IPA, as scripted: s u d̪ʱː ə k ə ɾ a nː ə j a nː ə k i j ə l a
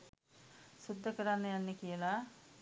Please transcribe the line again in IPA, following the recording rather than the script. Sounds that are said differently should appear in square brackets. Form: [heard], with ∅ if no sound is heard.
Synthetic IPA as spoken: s u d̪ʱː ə k ə ɾ a nː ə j a nː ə k i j ə l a

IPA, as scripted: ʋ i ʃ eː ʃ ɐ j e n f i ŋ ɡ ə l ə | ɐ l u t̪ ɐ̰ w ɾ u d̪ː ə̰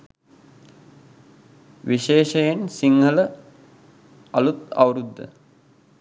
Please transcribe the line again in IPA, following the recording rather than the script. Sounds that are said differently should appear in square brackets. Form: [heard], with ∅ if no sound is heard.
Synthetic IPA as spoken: ʋ i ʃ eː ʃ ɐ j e n [s] i ŋ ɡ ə l ə | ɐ l u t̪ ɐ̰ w ɾ u d̪ː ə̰

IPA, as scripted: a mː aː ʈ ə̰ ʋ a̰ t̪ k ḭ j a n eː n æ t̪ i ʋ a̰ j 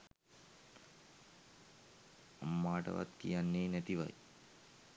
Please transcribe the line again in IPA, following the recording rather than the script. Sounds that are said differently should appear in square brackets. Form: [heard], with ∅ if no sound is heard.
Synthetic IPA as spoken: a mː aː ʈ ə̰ ʋ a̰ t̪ k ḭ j a [nː] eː n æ t̪ i ʋ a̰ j

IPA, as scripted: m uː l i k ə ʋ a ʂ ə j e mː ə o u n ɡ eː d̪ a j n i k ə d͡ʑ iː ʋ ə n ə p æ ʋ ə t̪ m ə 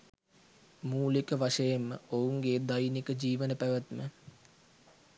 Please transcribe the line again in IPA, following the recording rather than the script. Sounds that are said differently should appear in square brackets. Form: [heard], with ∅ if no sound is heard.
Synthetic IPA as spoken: m uː l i k ə ʋ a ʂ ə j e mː ə o u [ŋ] ɡ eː d̪ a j n i k ə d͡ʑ iː ʋ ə n ə p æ ʋ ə t̪ m ə

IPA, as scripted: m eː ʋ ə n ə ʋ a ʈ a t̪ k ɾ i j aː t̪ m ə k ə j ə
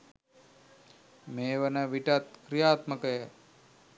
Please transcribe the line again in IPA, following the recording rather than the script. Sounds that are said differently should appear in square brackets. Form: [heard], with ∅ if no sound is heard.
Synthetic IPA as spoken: m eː ʋ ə n ə ʋ [i] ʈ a t̪ k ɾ i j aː t̪ m ə k ə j ə

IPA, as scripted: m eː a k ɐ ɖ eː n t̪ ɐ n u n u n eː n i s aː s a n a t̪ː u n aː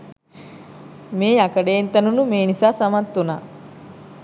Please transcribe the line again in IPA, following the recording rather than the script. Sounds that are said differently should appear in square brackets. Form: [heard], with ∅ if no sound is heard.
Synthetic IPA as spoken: m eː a k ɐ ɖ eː n t̪ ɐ n u n u [m] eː n i s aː s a [m] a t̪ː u n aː

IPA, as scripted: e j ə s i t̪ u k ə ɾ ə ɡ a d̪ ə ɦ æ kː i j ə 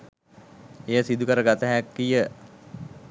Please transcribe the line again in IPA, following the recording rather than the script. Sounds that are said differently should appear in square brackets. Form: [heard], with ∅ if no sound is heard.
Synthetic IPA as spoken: e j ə s i [d̪] u k ə ɾ ə ɡ a [t̪] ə ɦ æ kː i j ə

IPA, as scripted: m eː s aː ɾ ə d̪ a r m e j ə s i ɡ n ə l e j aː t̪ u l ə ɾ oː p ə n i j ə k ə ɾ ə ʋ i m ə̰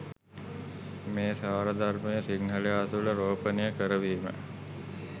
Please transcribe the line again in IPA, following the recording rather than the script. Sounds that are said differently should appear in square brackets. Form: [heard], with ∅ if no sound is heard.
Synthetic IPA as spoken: m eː s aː ɾ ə d̪ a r m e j ə s i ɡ n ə l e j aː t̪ u l ə ɾ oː p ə n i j ə k ə ɾ ə ʋ [iː] m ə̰

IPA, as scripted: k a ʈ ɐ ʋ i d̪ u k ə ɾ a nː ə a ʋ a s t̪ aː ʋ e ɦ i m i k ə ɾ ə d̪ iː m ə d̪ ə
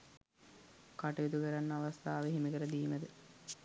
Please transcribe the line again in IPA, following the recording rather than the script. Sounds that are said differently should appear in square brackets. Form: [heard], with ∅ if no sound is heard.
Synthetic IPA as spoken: k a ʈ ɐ ʋ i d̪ u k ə ɾ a nː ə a ʋ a s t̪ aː ʋ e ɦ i m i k ə ɾ ə d̪ iː m ə d̪ ə

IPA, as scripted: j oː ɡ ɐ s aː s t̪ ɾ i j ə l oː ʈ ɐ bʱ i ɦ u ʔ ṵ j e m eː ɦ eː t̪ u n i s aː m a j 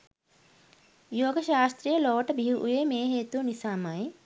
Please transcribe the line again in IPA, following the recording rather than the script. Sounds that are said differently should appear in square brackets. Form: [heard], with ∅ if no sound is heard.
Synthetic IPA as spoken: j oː ɡ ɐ [ʃ] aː s t̪ ɾ i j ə l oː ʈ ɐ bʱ i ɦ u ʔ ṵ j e m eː ɦ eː t̪ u n i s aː m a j

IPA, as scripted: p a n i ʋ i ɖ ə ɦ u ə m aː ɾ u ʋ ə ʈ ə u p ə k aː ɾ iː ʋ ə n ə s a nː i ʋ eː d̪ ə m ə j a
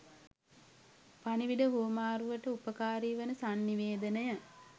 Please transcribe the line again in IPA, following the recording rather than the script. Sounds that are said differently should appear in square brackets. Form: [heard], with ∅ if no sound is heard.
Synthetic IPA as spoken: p a n i ʋ i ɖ ə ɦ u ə m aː ɾ u ʋ ə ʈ ə u p ə k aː ɾ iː ʋ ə n ə s a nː i ʋ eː d̪ ə [n] ə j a

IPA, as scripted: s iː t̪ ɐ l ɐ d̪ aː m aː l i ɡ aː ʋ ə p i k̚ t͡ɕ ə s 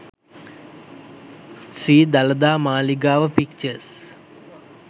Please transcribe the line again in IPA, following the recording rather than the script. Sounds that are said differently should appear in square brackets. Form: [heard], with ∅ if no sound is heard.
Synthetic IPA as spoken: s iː [d̪] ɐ l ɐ d̪ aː m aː l i ɡ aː ʋ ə p i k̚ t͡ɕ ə s

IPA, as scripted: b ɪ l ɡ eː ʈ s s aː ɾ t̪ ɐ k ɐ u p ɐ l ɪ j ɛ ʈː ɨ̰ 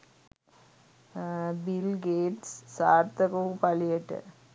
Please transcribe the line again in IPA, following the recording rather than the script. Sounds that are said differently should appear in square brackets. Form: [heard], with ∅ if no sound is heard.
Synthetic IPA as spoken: b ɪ l ɡ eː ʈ s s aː ɾ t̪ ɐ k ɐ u p ɐ l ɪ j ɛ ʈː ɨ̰

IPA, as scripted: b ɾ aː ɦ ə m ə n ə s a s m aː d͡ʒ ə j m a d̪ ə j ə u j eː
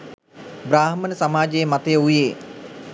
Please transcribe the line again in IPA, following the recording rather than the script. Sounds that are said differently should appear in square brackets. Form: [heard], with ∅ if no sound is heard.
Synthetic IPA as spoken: b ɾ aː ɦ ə m ə n ə s a [∅] m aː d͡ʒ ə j m a [t̪] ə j ə u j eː

